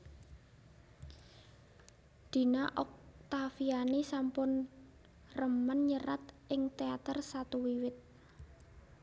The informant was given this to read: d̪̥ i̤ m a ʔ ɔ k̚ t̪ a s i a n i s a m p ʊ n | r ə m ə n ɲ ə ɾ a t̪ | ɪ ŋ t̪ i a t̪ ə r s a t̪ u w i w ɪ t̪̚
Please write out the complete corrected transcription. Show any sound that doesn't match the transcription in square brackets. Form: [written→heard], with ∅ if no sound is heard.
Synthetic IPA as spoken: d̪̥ i̤ [m→n] a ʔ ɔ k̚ t̪ a [s→f] i a n i s a m p ʊ n | r ə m ə n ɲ ə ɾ a t̪ | ɪ ŋ t̪ [i→e] a t̪ ə r s a t̪ u w i w ɪ t̪̚